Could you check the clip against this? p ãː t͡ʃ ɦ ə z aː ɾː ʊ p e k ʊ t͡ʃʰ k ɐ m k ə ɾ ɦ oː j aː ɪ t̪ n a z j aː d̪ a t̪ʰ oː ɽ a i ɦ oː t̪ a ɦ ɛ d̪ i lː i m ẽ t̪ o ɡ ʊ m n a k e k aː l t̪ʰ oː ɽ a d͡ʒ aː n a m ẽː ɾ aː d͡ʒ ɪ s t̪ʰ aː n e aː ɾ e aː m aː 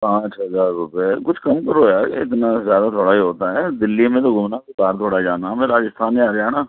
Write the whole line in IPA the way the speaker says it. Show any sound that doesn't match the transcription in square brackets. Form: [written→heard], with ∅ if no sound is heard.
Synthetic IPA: p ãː t͡ʃ ɦ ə z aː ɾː ʊ p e k ʊ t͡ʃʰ k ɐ m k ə ɾ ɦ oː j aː ɪ t̪ n a z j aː d̪ a t̪ʰ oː ɽ a i ɦ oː t̪ a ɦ ɛ d̪ [i→ɪ] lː i m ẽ t̪ o ɡ ʊ m n a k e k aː [l→ɾ] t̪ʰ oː ɽ a d͡ʒ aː n a m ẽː ɾ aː d͡ʒ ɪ s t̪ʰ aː n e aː ɾ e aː [m→n] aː